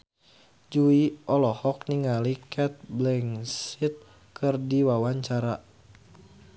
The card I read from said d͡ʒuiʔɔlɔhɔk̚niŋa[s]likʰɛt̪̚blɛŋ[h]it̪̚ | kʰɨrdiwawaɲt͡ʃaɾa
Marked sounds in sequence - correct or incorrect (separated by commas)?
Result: incorrect, incorrect